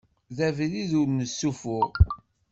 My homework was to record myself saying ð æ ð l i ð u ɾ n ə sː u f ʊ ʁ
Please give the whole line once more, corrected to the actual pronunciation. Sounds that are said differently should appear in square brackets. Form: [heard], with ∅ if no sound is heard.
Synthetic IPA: ð æ [v] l i ð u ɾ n ə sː u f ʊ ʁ

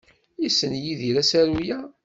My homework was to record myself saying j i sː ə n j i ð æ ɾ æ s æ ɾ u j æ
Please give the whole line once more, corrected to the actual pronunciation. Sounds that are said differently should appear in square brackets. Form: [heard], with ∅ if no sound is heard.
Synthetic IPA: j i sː ə n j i ð [i] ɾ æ s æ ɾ u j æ

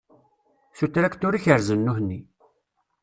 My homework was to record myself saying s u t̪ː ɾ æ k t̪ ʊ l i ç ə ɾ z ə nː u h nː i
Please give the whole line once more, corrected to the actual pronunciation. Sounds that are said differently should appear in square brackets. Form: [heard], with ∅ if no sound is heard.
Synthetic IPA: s u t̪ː ɾ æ k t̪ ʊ [ɾ] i ç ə ɾ z ə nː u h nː i

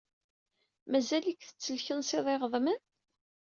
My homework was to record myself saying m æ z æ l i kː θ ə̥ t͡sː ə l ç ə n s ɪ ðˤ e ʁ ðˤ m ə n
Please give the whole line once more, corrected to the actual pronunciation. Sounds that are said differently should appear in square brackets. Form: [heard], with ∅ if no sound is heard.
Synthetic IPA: m æ z æ l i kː θ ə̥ t͡sː ə l ç ə n s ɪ ðˤ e ʁ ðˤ m ə n

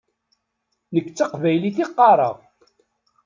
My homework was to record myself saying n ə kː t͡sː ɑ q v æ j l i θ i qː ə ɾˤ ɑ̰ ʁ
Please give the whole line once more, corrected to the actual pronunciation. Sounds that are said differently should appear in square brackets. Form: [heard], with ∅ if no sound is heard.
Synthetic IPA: n ə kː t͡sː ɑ q v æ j l i θ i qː [ɑ] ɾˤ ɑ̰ ʁ

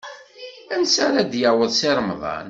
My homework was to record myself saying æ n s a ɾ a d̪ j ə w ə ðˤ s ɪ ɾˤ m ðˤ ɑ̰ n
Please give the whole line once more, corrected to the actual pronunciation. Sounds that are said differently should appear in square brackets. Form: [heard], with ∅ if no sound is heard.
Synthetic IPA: æ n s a ɾ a d̪ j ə w ə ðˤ s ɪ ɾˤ m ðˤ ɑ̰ n

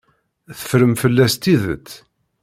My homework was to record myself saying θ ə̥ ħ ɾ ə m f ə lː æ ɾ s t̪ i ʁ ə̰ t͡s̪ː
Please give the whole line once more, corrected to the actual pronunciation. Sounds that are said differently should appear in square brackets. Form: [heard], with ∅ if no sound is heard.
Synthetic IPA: θ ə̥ [f] ɾ ə m f ə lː æ [∅] s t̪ i [ð] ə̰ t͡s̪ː

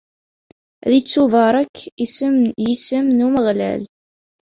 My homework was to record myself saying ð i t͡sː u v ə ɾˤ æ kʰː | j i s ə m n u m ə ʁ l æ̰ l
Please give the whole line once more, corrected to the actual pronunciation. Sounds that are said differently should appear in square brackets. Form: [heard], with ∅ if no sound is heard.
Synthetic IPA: ð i t͡sː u v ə ɾˤ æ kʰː | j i s ə m n u m ə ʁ l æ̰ l

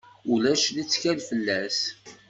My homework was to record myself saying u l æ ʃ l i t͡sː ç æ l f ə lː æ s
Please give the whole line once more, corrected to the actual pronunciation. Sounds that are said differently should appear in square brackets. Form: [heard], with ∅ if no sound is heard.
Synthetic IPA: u l æ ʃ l i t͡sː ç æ l f ə lː æ s

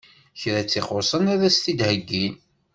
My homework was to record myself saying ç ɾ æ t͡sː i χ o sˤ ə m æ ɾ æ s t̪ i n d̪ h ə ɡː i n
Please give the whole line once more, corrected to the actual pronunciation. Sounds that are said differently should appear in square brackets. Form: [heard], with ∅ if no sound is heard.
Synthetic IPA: ç ɾ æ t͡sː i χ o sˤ ə [n] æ ɾ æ s t̪ i [∅] d̪ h ə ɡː i n

